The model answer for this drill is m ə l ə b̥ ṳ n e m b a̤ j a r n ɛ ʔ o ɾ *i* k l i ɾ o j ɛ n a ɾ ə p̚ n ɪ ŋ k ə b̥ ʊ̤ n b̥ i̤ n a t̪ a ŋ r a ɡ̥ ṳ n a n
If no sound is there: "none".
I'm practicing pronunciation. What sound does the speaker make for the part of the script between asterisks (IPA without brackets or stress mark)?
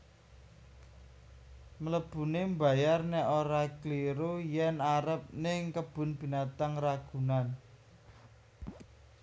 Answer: a